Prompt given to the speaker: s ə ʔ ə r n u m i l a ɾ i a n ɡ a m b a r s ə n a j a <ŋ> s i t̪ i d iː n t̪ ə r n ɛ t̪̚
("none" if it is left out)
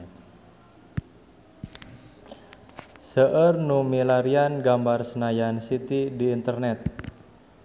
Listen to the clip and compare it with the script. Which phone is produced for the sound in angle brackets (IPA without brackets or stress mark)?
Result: n